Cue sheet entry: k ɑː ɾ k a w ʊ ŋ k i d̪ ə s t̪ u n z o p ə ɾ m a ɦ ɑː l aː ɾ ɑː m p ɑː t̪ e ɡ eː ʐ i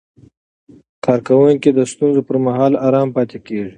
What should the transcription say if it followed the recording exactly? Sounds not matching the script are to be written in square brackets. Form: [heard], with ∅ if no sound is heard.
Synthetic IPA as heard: k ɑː ɾ k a w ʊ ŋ k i d̪ ə s t̪ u n z o p ə ɾ m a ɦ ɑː l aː ɾ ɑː m p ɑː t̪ e [k] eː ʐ i

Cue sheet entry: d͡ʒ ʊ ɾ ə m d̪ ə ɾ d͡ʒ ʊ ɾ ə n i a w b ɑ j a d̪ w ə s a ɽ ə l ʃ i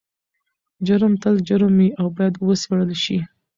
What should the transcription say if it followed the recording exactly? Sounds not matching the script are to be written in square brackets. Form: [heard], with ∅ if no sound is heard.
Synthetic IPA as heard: d͡ʒ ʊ ɾ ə m [t̪] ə [l] d͡ʒ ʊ ɾ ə [m] i a w b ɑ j a d̪ w ə s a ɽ ə l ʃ i

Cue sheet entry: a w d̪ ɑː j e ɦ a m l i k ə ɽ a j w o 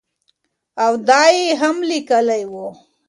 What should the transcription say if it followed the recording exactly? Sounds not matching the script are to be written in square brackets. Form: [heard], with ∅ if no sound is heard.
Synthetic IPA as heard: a w d̪ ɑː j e ɦ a m l i k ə [l] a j w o

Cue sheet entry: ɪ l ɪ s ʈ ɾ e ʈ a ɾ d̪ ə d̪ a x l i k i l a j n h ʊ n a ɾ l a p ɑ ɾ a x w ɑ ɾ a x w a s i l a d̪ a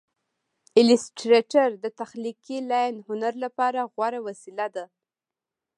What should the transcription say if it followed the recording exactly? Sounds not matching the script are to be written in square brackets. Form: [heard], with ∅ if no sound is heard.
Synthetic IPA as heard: ɪ l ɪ s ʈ ɾ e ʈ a ɾ d̪ ə [t̪] a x l i k i l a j n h ʊ n a ɾ l a p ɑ ɾ a [ɣ] w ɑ ɾ a [∅] w a s i l a d̪ a

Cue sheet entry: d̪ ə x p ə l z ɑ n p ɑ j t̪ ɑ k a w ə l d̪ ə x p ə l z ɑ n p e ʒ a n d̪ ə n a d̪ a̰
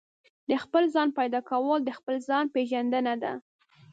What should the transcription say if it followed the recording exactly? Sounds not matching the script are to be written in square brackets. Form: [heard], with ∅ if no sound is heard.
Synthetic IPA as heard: d̪ ə x p ə l z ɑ n p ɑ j [d̪] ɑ k a w ə l d̪ ə x p ə l z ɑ n p e ʒ a n d̪ ə n a d̪ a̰

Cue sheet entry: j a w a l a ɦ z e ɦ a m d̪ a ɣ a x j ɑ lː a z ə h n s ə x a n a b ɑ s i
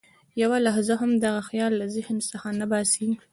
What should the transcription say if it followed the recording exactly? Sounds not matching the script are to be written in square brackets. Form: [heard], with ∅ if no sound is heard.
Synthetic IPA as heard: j a w a l a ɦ z [a] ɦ a m d̪ a ɣ a x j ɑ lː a z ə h n s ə x a n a b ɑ s i

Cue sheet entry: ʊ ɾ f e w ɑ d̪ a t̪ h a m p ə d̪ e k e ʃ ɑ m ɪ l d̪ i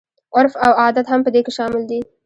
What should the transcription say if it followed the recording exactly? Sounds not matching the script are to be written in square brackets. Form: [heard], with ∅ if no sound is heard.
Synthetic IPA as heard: ʊ ɾ f [a] w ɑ d̪ a t̪ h a m p ə d̪ e k e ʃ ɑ m ɪ l d̪ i

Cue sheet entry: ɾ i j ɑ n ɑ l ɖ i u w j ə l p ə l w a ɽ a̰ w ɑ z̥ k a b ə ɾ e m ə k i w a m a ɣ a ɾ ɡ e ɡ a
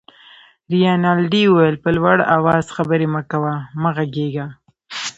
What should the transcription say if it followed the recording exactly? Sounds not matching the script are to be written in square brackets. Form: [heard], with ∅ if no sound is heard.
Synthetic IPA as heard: ɾ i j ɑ n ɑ l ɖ i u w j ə l p ə l w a ɽ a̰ w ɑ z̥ [x] a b ə ɾ e m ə k [a] w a m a ɣ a [∅] ɡ e ɡ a

